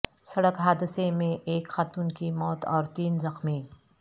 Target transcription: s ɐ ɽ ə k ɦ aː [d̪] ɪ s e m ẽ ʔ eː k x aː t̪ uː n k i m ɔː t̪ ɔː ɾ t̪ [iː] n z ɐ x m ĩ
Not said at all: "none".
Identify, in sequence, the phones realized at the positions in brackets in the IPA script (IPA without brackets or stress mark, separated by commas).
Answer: d̪, iː